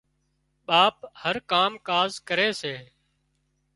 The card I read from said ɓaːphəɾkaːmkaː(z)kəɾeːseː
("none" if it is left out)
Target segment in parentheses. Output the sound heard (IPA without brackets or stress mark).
z